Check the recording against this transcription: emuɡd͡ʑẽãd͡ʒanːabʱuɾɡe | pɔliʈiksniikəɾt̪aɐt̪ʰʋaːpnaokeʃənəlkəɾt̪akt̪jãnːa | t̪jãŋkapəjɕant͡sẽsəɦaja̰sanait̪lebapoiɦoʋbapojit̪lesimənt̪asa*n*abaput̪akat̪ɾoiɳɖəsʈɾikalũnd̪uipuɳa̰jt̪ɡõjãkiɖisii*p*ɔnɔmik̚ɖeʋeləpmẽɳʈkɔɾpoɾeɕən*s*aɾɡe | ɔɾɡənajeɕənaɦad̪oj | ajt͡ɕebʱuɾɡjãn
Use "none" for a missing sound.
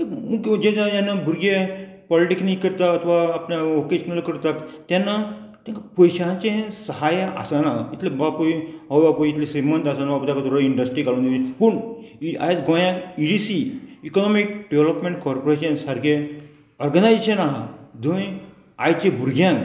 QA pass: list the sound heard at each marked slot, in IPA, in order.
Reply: n, k, s

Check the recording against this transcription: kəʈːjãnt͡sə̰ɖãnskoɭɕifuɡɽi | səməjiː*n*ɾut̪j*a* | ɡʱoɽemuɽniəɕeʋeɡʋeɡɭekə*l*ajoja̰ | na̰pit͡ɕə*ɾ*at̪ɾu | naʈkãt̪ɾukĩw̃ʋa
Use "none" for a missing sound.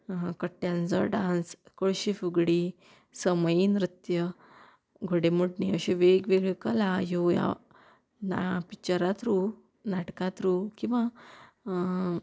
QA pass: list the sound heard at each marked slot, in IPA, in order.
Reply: n, ə, l, ɾ

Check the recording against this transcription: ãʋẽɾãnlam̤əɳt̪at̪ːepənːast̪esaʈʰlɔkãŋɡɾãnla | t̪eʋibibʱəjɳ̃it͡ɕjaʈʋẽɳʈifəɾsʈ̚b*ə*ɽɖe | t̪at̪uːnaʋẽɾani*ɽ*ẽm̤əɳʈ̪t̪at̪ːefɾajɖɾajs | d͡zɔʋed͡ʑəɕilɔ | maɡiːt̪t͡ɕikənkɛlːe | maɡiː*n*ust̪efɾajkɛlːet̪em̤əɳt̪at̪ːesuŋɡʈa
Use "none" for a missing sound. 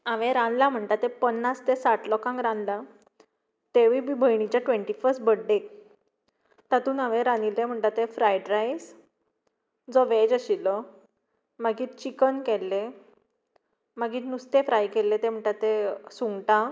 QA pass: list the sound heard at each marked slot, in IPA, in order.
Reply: ə, l, n

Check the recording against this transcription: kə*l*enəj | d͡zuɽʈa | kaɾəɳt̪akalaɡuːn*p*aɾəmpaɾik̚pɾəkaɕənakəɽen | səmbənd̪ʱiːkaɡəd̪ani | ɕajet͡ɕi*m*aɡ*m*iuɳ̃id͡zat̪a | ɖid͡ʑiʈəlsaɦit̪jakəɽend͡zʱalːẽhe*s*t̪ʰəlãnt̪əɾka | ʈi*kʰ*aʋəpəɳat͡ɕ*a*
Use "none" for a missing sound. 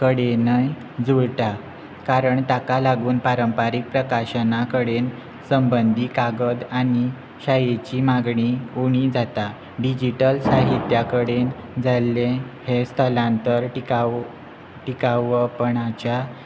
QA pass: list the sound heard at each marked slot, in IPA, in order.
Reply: ɽ, p, m, ɳ, s, k, a

